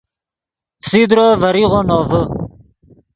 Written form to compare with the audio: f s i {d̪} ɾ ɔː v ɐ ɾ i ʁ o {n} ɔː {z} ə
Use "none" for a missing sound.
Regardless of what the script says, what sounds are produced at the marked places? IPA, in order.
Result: d̪, n, v

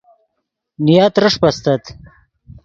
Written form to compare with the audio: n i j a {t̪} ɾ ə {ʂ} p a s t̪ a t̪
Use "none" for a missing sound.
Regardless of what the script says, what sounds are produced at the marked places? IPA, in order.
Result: t̪, ʂ

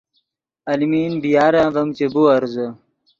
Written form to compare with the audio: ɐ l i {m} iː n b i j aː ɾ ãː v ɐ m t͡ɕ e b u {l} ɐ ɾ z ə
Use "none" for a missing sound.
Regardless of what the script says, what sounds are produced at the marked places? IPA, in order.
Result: m, none

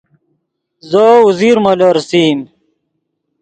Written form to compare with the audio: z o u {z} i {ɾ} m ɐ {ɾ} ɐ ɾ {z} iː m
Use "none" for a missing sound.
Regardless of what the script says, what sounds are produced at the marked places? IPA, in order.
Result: z, ɾ, l, s

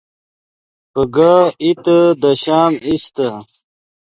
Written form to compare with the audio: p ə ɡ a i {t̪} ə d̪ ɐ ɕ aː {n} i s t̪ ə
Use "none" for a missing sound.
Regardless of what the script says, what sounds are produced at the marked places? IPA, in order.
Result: t̪, m

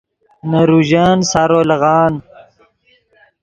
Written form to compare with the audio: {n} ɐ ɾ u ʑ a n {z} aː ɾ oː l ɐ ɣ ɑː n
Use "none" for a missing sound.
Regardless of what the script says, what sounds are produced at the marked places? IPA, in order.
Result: n, s

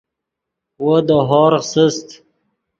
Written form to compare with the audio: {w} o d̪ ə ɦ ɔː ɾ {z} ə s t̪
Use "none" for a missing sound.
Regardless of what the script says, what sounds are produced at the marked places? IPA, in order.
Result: w, s

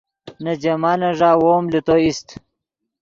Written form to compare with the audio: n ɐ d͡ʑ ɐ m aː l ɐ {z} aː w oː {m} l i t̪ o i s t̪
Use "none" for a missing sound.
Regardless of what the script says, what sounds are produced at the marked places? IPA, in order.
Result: ʐ, m

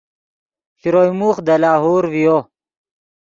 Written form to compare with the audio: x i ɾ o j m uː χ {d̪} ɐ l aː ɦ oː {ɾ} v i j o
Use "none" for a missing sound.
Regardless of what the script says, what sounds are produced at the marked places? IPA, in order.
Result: d̪, ɾ

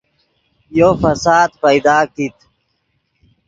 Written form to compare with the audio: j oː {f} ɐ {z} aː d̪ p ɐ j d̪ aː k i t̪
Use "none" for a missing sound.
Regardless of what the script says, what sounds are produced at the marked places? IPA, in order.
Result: f, s

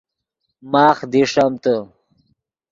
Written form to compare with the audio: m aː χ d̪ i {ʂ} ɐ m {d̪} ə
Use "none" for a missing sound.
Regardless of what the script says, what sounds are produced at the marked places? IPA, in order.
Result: ʂ, t̪

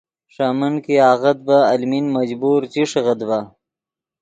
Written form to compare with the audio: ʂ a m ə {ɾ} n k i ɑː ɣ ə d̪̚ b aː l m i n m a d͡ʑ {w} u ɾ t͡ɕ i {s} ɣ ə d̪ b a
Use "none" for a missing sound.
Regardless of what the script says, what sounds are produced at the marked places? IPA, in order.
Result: none, b, ʂ

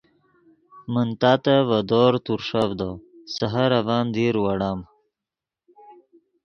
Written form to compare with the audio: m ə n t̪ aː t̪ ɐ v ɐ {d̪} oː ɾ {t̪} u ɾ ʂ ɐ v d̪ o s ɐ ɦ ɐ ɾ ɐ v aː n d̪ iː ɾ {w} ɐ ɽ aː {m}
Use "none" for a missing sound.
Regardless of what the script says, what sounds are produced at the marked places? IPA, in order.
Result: d̪, t̪, w, m

